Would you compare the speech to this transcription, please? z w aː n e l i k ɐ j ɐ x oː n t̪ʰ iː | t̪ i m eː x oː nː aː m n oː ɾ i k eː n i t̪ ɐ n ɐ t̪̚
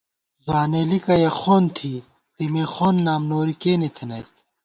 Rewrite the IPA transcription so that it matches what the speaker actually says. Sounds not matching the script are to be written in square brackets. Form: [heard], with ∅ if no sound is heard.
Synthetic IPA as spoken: z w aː n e l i k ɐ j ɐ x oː n t̪ʰ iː | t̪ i m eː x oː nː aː m n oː ɾ i k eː n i [t̪ʰ] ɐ n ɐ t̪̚